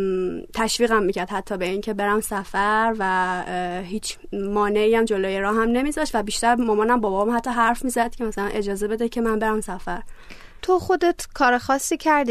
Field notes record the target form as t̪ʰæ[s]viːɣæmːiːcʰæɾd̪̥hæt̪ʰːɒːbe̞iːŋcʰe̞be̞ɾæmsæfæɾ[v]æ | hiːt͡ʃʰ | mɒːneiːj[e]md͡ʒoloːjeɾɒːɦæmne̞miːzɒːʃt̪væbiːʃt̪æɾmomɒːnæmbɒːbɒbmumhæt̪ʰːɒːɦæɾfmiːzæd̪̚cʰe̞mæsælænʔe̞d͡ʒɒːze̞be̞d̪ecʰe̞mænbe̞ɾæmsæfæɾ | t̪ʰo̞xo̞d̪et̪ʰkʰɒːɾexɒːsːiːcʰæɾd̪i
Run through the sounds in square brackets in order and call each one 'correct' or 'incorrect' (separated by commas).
incorrect, correct, incorrect